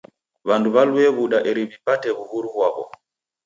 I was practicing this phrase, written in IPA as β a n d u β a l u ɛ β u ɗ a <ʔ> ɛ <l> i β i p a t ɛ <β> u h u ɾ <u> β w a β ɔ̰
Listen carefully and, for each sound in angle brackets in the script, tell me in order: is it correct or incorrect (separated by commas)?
correct, incorrect, correct, correct